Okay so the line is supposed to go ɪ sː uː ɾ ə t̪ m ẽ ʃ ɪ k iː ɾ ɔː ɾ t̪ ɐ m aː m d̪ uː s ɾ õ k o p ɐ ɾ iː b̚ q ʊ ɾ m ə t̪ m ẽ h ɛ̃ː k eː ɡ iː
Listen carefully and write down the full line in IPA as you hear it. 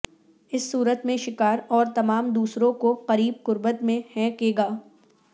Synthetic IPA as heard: ɪ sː uː ɾ ə t̪ m ẽ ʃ ɪ k aː ɾ ɔː ɾ t̪ ɐ m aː m d̪ uː s ɾ õ k o q ɐ ɾ iː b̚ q ʊ ɾ b ə t̪ m ẽ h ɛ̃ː k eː ɡ aː